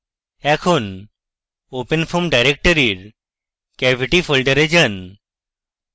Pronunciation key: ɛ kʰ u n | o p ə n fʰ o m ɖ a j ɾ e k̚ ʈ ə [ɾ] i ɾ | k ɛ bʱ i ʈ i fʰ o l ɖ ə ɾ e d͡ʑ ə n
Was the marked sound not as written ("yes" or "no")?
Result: no